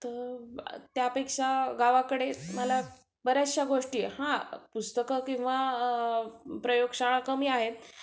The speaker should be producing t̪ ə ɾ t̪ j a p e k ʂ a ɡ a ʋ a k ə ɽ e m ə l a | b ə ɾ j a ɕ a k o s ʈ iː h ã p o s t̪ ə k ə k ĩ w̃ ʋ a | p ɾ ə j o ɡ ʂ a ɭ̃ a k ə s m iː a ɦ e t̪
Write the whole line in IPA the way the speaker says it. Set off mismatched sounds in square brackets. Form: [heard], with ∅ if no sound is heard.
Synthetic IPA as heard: t̪ ə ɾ t̪ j a p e k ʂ a ɡ a ʋ a k ə ɽ e m ə l a | b ə ɾ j a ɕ a [ɡ] o [ʂ] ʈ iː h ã p [u] s t̪ ə k ə k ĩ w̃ ʋ a | p ɾ ə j o ɡ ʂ a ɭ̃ a k ə [∅] m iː a ɦ e t̪